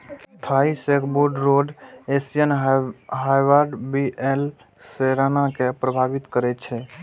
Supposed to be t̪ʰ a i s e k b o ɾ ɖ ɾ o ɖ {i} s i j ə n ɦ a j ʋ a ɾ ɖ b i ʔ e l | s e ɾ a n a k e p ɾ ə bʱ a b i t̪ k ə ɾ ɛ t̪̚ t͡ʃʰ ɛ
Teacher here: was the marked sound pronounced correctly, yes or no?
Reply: no